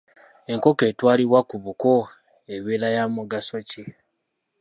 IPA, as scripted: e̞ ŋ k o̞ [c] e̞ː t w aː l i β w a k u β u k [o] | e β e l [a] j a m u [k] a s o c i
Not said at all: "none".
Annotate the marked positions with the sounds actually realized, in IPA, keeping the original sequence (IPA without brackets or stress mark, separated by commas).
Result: k, o, a, ɡ